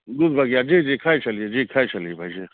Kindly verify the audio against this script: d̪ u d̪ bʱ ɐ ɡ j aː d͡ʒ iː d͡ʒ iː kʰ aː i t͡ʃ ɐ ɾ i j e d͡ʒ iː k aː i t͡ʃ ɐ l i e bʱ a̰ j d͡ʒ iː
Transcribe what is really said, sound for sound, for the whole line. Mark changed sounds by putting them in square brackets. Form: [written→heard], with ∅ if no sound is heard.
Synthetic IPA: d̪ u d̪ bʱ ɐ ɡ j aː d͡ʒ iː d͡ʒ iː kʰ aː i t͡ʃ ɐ [ɾ→l] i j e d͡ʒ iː [k→kʰ] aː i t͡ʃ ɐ l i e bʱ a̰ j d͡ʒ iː

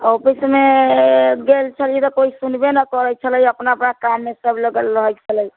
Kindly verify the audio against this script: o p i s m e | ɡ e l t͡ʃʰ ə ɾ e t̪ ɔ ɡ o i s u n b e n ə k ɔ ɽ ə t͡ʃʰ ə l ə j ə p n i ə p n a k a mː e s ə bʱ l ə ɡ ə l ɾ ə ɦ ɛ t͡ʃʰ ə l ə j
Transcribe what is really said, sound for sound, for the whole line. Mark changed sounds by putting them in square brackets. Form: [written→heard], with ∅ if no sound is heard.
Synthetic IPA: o p i s m e | ɡ e l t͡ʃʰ ə [ɾ→l] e t̪ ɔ [ɡ→k] o i s u n b e n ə k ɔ [ɽ→ɾ] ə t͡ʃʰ ə l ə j ə p n [i→a] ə p n a k a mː e s ə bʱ l ə ɡ ə l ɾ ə ɦ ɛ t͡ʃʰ ə l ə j

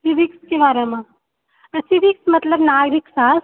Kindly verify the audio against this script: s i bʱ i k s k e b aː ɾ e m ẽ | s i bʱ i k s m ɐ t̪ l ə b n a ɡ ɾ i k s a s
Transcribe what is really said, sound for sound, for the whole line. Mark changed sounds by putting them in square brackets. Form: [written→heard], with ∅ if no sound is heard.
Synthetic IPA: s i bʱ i k s k e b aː ɾ e m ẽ | s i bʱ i k s m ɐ t̪ l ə b n a ɡ ɾ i k s a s

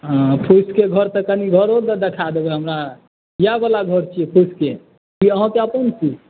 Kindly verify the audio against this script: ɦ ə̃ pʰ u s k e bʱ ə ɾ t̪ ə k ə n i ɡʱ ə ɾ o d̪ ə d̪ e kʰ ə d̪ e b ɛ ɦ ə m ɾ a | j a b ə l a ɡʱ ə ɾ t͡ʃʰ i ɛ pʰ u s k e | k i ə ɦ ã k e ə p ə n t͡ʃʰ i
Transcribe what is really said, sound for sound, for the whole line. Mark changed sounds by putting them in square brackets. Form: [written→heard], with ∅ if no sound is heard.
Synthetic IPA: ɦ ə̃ pʰ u s k e [bʱ→ɡʱ] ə ɾ t̪ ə k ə n i ɡʱ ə ɾ o d̪ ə d̪ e kʰ [ə→a] d̪ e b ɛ ɦ ə m ɾ a | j a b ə l a ɡʱ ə ɾ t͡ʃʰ i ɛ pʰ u s k e | k i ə ɦ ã k e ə p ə n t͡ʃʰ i

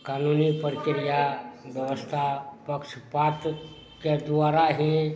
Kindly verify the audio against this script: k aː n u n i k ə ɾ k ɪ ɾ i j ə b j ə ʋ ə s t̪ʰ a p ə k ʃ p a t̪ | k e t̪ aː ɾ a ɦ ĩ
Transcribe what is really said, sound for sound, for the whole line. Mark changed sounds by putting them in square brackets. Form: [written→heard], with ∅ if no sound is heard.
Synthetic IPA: k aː n u n i [k→p] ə ɾ k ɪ ɾ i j [ə→a] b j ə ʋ ə s t̪ʰ a p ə k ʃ p a t̪ | k e [t̪→d̪] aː ɾ a ɦ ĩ

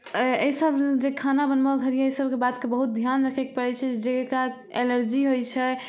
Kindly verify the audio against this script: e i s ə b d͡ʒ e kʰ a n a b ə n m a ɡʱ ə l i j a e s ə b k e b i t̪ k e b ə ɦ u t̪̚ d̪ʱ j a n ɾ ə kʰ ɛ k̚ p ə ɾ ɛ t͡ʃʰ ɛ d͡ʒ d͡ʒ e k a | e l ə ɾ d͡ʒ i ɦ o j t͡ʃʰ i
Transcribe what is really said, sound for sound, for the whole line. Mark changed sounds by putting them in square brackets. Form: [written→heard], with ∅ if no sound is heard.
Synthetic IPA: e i s ə b d͡ʒ e kʰ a n a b ə n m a ɡʱ ə [l→ɾ] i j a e s ə b k e b [i→a] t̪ k e b ə ɦ u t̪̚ d̪ʱ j a n ɾ ə kʰ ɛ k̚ p ə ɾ ɛ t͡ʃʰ ɛ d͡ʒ d͡ʒ e k a | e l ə ɾ d͡ʒ i ɦ o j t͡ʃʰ [i→ɛ]

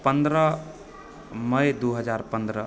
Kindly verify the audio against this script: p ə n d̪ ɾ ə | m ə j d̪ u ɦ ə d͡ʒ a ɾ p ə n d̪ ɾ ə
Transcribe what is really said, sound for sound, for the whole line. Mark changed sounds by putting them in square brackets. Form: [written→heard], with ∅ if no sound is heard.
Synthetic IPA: p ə n d̪ ɾ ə | m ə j d̪ u ɦ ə d͡ʒ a ɾ p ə n d̪ ɾ ə

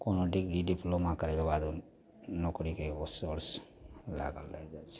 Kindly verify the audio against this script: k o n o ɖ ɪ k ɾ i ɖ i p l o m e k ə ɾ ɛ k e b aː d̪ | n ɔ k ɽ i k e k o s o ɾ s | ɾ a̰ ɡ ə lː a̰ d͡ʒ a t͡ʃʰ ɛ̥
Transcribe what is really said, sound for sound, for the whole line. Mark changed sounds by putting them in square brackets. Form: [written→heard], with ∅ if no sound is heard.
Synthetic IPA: k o n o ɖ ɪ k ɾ i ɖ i p l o m [e→a] k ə ɾ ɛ k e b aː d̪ | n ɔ k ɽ i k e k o s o ɾ s | [ɾ→l] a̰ ɡ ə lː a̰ d͡ʒ a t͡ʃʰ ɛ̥

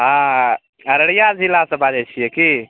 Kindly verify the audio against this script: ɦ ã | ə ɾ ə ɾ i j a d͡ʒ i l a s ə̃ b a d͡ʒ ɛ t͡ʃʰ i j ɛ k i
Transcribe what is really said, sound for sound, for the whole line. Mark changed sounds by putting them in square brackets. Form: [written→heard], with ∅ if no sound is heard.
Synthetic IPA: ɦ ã | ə ɾ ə [ɾ→ɽ] i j a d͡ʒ i l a s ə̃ b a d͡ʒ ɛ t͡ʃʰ i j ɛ k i

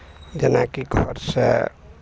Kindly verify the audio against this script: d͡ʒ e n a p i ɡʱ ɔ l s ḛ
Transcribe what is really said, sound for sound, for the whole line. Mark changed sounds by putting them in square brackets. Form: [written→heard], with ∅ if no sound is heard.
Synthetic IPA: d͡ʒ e n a [p→k] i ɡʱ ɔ [l→ɾ] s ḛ

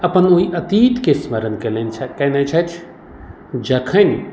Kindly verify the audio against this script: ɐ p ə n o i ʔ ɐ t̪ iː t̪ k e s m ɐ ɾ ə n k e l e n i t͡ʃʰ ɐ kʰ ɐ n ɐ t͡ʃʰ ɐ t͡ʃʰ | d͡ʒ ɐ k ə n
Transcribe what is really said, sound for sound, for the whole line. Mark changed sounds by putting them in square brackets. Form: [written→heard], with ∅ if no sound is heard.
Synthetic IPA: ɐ p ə n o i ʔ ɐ t̪ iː t̪ k e s m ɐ ɾ ə n k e l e n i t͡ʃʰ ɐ [kʰ→k] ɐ n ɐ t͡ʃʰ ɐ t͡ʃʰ | d͡ʒ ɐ [k→kʰ] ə n

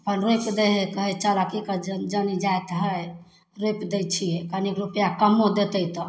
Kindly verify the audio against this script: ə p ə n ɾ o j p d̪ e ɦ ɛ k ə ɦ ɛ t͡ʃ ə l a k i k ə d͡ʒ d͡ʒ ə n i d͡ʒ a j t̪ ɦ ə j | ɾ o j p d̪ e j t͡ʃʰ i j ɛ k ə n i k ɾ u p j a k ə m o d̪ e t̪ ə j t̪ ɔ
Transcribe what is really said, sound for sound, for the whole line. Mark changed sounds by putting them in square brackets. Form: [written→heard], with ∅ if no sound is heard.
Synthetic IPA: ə p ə n ɾ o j p d̪ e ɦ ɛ k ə ɦ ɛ t͡ʃ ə l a k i k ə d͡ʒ d͡ʒ ə n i d͡ʒ a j t̪ ɦ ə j | ɾ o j p d̪ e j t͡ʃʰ i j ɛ k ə n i k ɾ u p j a k ə m o d̪ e t̪ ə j t̪ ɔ

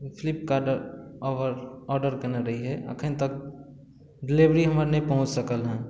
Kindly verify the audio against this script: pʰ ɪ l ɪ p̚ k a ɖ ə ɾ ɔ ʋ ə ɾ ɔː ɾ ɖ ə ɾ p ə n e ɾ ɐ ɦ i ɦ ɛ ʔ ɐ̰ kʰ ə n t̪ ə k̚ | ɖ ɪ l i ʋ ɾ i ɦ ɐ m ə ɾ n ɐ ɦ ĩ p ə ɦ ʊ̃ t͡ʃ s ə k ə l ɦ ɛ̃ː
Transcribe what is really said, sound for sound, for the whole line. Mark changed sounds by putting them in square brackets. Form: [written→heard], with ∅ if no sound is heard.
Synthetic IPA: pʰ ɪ l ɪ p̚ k a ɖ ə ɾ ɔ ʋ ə ɾ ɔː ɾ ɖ ə ɾ [p→k] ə n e ɾ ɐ ɦ i ɦ ɛ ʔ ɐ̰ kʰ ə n t̪ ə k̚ | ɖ ɪ l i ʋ ɾ i ɦ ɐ m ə ɾ n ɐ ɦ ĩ p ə ɦ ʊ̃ t͡ʃ s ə k ə l ɦ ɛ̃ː

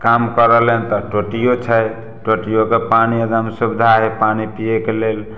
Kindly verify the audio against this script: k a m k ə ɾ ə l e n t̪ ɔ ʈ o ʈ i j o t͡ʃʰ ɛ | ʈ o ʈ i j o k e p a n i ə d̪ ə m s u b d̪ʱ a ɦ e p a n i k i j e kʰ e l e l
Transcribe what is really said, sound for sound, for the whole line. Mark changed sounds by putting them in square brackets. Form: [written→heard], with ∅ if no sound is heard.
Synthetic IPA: k a m k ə ɾ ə l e n t̪ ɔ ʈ o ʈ i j o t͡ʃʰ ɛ | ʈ o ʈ i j o k e p a n i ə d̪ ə m s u b d̪ʱ a ɦ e p a n i [k→p] i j e [kʰ→k] e l e l

